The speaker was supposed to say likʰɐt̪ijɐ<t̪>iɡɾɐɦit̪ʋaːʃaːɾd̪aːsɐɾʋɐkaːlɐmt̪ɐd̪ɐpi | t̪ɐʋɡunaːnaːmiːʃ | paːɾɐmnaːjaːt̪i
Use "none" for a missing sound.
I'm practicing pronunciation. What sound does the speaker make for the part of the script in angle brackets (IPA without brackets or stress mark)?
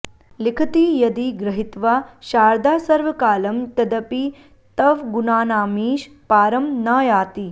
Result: d̪